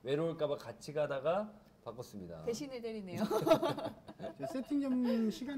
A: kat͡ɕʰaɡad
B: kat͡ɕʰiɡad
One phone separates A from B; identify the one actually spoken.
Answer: B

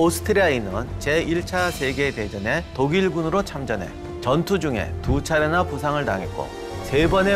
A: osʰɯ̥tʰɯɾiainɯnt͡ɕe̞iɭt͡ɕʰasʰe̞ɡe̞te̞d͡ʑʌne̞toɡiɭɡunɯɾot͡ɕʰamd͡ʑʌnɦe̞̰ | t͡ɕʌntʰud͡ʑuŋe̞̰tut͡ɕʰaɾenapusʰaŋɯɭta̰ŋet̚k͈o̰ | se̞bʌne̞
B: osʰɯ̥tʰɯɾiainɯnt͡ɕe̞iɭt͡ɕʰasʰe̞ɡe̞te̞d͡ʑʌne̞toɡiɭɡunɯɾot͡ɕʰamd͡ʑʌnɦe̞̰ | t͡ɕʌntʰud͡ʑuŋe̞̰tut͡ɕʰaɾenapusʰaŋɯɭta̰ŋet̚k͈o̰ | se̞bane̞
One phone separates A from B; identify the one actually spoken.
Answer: A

